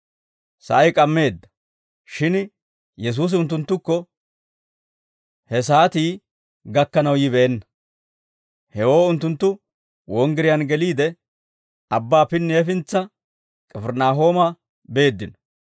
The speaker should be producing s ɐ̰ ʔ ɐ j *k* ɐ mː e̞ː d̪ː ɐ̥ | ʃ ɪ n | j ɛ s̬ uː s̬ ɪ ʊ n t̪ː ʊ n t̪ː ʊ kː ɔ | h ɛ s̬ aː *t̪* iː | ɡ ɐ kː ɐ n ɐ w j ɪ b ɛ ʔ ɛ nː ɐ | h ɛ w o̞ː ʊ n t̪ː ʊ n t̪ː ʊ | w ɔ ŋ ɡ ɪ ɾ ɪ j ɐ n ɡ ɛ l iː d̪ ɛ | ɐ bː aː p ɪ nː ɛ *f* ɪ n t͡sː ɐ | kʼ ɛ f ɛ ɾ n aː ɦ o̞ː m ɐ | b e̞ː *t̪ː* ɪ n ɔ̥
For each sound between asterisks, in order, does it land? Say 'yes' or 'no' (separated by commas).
no, yes, yes, no